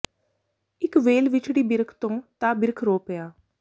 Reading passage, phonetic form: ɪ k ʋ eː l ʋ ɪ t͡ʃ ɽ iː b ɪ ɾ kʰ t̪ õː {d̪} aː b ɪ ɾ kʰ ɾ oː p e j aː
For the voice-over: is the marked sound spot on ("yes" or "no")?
no